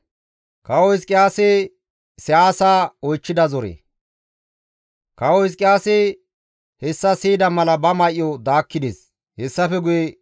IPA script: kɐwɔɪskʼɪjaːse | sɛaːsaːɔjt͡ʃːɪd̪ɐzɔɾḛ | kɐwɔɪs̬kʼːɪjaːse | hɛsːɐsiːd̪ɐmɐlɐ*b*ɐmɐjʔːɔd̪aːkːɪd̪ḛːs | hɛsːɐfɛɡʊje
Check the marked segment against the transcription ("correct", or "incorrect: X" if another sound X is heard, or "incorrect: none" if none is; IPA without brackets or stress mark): correct